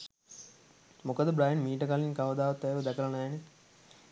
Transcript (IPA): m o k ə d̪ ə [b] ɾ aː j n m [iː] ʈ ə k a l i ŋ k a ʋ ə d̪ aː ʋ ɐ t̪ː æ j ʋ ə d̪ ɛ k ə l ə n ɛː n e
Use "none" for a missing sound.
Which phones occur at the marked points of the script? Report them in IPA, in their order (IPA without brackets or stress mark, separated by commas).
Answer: b, iː